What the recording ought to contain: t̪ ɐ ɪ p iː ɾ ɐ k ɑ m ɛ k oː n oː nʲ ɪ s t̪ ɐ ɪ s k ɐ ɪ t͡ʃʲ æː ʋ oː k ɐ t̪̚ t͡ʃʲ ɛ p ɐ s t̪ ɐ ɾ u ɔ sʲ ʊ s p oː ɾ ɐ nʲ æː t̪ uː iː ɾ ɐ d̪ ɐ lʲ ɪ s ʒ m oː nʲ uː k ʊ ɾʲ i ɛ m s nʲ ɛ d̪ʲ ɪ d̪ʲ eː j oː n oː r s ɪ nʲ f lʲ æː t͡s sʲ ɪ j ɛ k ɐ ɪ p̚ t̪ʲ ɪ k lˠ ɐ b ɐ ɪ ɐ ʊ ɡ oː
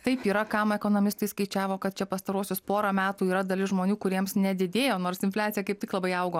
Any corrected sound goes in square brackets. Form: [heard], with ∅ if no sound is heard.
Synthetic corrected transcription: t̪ ɐ ɪ p iː ɾ ɐ k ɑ m ɛ k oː n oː [mʲ] ɪ s t̪ ɐ ɪ s k ɐ ɪ t͡ʃʲ æː ʋ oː k ɐ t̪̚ t͡ʃʲ ɛ p ɐ s t̪ ɐ ɾ u ɔ sʲ ʊ s p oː ɾ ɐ [mʲ] æː t̪ uː iː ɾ ɐ d̪ ɐ lʲ ɪ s ʒ m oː nʲ uː k ʊ ɾʲ i ɛ m s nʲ ɛ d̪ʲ ɪ d̪ʲ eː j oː n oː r s ɪ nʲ f lʲ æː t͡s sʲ ɪ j ɛ k ɐ ɪ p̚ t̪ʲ ɪ k lˠ ɐ b ɐ ɪ ɐ ʊ ɡ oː